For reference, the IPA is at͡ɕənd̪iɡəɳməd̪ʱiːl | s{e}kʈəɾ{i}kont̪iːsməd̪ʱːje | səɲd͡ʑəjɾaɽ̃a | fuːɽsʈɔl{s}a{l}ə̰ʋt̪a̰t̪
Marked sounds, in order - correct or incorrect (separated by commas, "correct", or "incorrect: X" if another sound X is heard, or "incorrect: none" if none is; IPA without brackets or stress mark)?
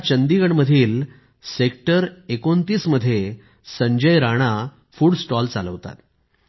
correct, incorrect: e, incorrect: t͡s, correct